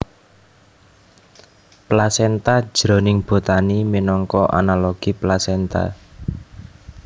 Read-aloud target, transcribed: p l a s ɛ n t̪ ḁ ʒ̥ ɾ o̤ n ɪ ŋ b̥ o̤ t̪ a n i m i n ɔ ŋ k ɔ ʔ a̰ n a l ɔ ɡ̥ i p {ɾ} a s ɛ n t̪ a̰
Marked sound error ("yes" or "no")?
yes